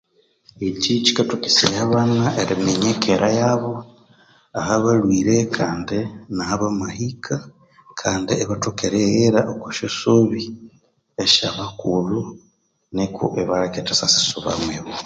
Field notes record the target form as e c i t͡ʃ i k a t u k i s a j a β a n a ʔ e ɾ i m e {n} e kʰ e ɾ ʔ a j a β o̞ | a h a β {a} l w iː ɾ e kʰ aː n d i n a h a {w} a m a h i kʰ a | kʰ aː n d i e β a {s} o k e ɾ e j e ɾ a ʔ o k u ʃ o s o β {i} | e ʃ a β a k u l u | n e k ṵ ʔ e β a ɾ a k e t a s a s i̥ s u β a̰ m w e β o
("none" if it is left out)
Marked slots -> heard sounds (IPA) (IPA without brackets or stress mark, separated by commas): ɲ, a, β, t, i